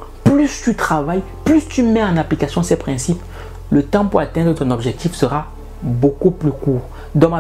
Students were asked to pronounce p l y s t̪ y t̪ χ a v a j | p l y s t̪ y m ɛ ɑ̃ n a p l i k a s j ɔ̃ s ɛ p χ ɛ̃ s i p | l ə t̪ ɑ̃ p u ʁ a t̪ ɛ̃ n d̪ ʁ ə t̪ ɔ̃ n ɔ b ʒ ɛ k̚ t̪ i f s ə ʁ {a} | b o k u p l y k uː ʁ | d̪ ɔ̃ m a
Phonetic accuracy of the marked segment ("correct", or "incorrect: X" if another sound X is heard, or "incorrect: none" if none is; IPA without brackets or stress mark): correct